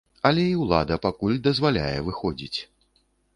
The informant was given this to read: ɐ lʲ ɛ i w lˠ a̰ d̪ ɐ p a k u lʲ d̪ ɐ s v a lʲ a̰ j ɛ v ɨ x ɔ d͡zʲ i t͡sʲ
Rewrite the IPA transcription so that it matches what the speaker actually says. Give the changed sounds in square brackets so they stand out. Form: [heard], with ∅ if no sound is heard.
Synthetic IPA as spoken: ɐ lʲ ɛ i w lˠ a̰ d̪ ɐ p a k u lʲ d̪ ɐ [z] v a lʲ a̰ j ɛ v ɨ x ɔ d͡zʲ i t͡sʲ